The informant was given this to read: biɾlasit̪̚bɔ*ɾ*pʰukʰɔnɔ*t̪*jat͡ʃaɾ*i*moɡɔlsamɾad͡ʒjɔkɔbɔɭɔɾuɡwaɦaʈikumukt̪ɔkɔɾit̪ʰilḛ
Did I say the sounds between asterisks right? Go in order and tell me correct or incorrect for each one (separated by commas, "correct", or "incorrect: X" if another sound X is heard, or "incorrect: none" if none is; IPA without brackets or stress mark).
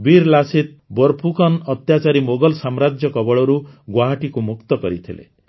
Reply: correct, correct, correct